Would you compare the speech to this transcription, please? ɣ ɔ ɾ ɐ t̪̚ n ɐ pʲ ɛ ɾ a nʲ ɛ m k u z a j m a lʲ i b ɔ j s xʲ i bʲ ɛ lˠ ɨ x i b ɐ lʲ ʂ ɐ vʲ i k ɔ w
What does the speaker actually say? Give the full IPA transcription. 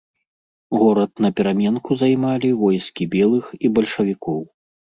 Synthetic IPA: ɣ ɔ ɾ ɐ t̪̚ n ɐ pʲ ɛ ɾ a mʲ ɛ n k u z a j m a lʲ i v ɔ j s kʲ i bʲ ɛ lˠ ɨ x i b ɐ lʲ ʂ ɐ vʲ i k ɔ w